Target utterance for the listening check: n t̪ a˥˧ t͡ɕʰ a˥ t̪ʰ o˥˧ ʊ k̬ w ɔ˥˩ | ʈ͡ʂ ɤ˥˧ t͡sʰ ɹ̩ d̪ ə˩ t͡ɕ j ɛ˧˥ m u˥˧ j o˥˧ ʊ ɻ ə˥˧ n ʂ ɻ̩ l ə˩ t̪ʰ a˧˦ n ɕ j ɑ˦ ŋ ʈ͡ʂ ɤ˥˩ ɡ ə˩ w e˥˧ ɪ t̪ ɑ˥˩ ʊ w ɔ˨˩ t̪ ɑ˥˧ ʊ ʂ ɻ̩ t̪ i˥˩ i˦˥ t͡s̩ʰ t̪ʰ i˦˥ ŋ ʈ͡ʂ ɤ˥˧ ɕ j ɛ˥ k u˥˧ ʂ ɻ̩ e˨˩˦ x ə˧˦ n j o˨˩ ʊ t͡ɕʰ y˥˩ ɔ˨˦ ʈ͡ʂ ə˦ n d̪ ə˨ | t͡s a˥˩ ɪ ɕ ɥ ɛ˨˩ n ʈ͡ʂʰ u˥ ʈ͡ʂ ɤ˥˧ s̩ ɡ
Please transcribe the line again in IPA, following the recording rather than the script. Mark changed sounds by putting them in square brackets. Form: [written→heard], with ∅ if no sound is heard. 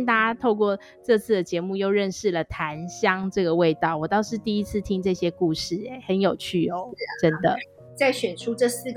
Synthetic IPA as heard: n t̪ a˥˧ [t͡ɕʰ→t͡ɕ] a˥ t̪ʰ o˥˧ ʊ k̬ w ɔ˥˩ | ʈ͡ʂ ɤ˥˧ t͡sʰ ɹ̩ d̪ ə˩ t͡ɕ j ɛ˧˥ m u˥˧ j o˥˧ ʊ ɻ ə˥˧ n ʂ ɻ̩ l ə˩ t̪ʰ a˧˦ n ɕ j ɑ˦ ŋ ʈ͡ʂ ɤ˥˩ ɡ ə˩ w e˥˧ ɪ t̪ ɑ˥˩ ʊ w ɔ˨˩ t̪ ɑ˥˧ ʊ ʂ ɻ̩ t̪ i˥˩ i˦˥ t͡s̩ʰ t̪ʰ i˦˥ ŋ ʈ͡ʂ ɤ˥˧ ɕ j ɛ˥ k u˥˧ ʂ ɻ̩ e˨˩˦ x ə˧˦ n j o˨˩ ʊ t͡ɕʰ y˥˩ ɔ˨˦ ʈ͡ʂ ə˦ n d̪ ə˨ | t͡s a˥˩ ɪ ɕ ɥ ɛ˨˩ n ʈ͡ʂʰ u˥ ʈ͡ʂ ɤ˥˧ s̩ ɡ